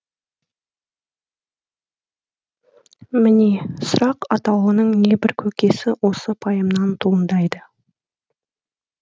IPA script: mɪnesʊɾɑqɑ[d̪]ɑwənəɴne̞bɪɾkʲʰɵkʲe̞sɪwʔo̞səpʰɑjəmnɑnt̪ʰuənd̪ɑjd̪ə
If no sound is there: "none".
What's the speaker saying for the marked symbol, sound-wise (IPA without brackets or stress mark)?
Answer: t̪